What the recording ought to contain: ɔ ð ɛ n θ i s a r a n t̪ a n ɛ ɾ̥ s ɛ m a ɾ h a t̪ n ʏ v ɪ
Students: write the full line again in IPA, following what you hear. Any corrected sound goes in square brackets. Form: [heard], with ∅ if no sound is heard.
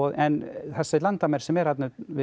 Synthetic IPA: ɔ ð ɛ n θ [ɛ] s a [l] a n t̪ a [m] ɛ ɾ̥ s ɛ m [ɛ] ɾ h a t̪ n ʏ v ɪ